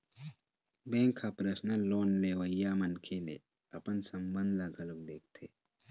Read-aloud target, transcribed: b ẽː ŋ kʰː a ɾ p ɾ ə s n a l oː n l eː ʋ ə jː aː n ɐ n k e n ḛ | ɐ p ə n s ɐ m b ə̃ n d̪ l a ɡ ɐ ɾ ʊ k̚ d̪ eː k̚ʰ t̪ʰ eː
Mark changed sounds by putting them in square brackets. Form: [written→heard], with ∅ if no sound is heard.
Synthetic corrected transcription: b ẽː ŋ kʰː a [ɾ→∅] p ɾ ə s n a l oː n l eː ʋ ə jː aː [n→m] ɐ n [k→kʰ] e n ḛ | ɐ p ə n s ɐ m b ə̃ n d̪ l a ɡ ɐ [ɾ→l] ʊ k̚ d̪ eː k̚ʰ t̪ʰ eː